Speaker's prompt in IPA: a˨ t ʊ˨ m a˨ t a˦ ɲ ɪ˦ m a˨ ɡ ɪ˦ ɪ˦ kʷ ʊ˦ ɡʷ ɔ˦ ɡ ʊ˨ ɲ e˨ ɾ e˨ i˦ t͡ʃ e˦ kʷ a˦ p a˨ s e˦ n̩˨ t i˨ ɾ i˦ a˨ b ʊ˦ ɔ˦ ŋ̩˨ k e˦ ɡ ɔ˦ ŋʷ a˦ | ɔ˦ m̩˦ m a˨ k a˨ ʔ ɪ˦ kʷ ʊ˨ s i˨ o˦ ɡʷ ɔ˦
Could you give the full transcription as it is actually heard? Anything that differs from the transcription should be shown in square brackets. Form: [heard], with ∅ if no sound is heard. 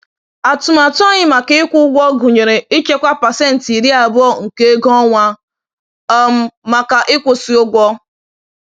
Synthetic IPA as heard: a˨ t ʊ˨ m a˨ t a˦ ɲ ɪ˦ m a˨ [k] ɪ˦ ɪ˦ kʷ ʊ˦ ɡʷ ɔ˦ ɡ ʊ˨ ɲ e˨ ɾ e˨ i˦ t͡ʃ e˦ kʷ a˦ p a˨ s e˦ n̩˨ t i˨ ɾ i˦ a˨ b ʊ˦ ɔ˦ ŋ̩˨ k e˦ ɡ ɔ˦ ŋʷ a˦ | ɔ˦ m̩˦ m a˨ k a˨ ʔ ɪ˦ kʷ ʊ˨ s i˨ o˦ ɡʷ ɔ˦